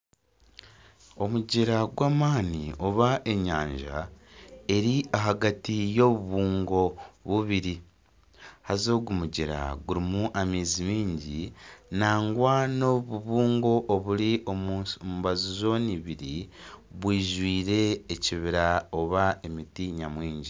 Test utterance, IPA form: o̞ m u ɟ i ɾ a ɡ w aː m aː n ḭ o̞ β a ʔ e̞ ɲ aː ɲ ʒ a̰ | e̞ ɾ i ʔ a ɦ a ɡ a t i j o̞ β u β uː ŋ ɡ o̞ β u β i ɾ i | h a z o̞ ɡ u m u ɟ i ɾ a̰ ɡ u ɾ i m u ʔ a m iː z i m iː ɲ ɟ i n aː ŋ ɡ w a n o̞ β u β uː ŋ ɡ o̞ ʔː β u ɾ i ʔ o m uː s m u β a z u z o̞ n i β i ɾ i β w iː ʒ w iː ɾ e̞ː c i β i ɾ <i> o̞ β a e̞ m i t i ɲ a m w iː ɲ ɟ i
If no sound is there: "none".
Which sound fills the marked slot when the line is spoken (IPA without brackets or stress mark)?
a